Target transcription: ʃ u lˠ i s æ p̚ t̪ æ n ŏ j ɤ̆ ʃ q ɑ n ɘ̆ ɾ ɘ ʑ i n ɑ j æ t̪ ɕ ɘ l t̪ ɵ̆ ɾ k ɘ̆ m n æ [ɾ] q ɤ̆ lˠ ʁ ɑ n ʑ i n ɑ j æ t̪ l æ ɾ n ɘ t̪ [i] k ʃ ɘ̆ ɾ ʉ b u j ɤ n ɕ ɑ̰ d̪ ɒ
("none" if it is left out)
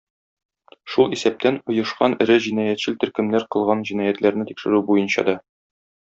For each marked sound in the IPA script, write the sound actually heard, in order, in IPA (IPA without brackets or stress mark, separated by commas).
ɾ, i